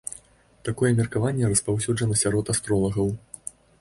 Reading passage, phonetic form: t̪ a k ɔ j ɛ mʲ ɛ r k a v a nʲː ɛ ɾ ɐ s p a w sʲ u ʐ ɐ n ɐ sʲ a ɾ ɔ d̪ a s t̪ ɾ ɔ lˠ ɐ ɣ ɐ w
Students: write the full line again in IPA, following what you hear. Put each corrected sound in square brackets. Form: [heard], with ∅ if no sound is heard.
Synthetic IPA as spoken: t̪ a k ɔ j ɛ mʲ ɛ r k a v a nʲː ɛ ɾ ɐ s p a w sʲ u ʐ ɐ n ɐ sʲ a ɾ ɔ [t̪] a s t̪ ɾ ɔ lˠ ɐ ɣ ɐ w